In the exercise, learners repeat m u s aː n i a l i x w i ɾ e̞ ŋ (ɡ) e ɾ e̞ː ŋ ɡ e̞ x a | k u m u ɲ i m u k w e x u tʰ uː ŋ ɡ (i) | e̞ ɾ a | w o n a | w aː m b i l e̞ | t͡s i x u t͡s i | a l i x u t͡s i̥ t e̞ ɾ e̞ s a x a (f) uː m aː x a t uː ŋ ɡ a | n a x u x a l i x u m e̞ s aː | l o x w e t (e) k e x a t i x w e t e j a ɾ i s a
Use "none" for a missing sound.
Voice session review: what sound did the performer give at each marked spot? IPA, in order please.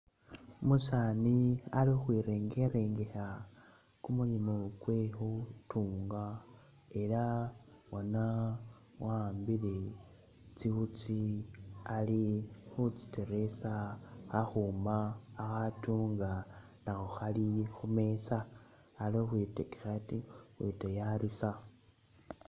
ɡ, a, x, e

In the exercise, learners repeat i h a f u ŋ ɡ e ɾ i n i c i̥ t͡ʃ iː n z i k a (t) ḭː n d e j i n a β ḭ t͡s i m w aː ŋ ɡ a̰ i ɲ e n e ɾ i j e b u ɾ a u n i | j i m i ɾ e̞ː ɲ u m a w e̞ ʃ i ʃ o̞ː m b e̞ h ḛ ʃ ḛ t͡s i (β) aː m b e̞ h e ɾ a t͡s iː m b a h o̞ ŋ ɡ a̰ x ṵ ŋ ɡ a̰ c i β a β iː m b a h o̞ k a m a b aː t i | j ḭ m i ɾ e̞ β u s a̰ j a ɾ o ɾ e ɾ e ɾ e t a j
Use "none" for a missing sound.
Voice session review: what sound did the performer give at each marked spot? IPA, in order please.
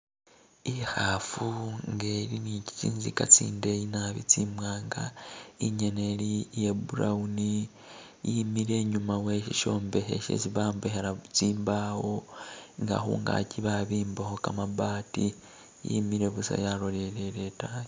t͡s, β

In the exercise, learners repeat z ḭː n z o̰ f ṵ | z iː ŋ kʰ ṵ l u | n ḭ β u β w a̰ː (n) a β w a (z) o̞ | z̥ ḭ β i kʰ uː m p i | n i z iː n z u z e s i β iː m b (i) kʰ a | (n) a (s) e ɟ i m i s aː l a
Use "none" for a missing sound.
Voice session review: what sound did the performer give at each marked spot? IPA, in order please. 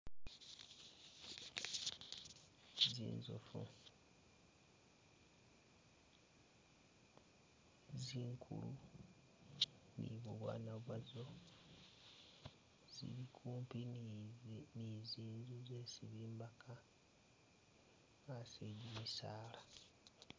n, z, a, ŋ, s

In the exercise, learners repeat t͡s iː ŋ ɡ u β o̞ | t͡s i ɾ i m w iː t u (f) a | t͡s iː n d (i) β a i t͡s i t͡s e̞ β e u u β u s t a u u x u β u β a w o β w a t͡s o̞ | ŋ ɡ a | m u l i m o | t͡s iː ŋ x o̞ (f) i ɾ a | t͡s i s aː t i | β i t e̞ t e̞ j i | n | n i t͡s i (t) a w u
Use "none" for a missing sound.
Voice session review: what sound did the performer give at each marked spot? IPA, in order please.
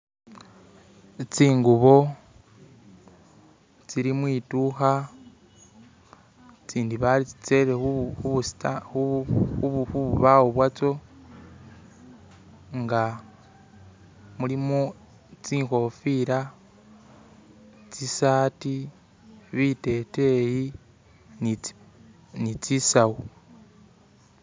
x, i, f, s

